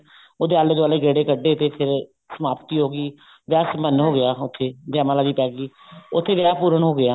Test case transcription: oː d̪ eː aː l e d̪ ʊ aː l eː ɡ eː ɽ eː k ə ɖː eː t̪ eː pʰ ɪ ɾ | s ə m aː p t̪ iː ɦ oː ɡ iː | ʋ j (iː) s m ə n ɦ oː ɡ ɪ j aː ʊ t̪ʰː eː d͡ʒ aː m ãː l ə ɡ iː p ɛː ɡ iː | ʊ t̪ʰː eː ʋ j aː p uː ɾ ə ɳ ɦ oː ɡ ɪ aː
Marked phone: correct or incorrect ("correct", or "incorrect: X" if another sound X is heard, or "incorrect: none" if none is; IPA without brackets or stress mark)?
incorrect: aː